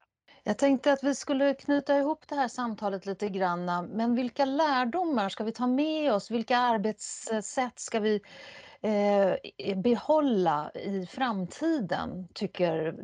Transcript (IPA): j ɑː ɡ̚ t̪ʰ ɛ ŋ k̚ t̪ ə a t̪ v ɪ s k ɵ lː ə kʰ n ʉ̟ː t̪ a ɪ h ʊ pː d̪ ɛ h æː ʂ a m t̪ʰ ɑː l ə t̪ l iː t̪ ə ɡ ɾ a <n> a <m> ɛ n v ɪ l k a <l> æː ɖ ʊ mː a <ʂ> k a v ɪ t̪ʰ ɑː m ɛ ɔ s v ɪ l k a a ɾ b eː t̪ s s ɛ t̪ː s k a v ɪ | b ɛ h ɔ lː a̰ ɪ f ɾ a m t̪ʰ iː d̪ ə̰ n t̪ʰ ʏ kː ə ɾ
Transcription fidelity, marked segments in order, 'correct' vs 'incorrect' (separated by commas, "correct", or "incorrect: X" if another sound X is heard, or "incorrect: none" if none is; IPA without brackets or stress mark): incorrect: nː, correct, correct, correct